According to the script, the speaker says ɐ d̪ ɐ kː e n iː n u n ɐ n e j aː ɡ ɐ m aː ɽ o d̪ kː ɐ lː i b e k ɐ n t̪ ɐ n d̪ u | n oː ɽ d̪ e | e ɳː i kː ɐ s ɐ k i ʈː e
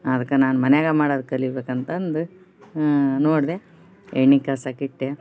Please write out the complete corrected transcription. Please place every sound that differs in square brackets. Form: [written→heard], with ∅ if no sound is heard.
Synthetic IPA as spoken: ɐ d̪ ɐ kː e n [iː→aː] n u [n→m] ɐ n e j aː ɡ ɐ m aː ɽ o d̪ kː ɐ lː i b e k ɐ n t̪ ɐ n d̪ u | n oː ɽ d̪ e | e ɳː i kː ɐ s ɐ k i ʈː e

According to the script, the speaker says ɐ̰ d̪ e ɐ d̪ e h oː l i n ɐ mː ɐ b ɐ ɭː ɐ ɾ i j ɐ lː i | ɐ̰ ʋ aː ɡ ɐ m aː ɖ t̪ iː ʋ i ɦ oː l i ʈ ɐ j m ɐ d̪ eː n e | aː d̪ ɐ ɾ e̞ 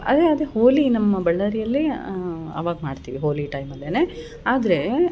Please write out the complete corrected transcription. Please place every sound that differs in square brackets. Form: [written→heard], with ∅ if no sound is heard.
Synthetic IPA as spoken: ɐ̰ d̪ e ɐ d̪ e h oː l i n ɐ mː ɐ b ɐ ɭː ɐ ɾ i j ɐ lː i | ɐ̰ ʋ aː ɡ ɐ m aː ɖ t̪ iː ʋ i ɦ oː l i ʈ ɐ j m ɐ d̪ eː n e | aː d̪ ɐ ɾ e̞

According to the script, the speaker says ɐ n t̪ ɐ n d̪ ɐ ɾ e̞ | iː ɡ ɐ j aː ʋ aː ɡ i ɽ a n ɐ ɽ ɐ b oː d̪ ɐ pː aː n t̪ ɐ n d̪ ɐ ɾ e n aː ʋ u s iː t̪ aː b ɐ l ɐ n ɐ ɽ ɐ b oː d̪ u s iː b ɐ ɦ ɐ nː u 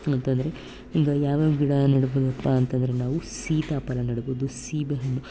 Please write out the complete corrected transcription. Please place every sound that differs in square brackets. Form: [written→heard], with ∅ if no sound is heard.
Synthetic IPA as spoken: ɐ n t̪ ɐ n d̪ ɐ ɾ e̞ | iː ɡ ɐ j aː ʋ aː ɡ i ɽ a n ɐ ɽ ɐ b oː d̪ ɐ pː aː n t̪ ɐ n d̪ ɐ ɾ e n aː ʋ u s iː t̪ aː [b→p] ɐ l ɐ n ɐ ɽ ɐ b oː d̪ u s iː b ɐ ɦ ɐ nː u

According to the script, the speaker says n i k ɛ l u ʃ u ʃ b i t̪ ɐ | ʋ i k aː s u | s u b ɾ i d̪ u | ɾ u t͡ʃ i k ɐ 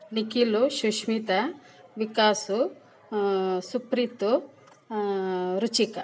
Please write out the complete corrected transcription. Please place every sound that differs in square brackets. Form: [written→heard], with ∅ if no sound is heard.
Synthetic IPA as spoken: n i k [ɛ→i] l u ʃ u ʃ [b→m] i t̪ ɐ | ʋ i k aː s u | s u [b→p] ɾ i [d̪→t̪] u | ɾ u t͡ʃ i k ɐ

